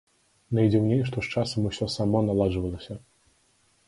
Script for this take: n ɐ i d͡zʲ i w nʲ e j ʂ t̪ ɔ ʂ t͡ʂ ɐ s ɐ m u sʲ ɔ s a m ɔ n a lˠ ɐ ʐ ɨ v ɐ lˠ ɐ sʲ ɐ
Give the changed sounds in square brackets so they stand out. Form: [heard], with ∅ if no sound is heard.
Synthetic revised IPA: n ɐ [j] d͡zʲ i w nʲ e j ʂ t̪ ɔ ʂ t͡ʂ [a] s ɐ m u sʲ ɔ s a m ɔ n a lˠ [a] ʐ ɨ v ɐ lˠ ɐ sʲ ɐ